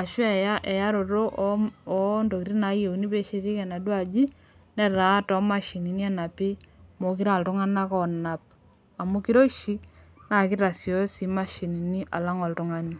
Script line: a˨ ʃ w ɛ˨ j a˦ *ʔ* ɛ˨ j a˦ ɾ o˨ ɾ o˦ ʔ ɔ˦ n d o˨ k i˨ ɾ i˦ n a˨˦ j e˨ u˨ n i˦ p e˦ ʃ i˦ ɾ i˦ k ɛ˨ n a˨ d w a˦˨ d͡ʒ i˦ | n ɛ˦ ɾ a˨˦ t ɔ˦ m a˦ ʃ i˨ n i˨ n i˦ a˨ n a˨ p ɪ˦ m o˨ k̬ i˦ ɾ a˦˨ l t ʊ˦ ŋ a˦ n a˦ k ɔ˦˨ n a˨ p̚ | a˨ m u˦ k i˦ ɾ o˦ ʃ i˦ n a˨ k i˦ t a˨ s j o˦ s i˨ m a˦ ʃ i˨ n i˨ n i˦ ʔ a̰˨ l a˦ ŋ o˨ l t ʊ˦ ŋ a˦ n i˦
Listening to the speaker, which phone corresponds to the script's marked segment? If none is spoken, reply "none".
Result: ʔ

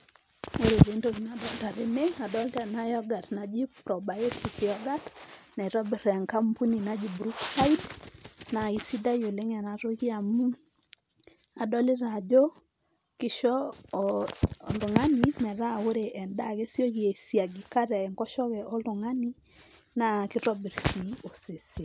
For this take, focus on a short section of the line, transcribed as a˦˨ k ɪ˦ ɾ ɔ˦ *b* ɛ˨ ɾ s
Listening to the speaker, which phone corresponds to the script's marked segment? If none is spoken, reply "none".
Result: b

